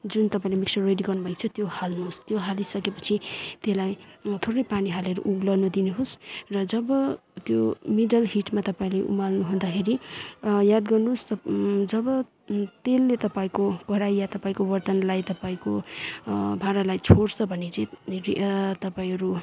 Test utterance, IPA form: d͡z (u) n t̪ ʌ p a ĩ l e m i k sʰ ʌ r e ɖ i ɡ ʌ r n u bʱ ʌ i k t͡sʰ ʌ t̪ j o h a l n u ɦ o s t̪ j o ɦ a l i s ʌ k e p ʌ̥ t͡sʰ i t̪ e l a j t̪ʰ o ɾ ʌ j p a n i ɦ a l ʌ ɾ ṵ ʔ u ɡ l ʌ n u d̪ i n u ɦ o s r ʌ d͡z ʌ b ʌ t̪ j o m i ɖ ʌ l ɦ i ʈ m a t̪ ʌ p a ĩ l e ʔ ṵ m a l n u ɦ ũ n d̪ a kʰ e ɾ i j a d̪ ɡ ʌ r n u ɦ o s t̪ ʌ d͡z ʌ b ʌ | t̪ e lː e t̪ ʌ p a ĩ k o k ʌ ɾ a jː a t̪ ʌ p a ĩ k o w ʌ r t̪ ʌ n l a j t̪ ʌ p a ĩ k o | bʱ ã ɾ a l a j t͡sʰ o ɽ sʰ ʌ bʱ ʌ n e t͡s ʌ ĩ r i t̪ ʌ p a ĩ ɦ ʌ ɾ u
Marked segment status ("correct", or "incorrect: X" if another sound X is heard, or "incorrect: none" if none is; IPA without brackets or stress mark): correct